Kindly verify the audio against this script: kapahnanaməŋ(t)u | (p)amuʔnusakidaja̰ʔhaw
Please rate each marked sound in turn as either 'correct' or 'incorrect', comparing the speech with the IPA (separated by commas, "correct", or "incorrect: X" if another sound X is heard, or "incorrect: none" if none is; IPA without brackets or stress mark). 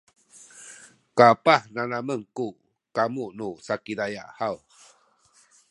incorrect: k, incorrect: k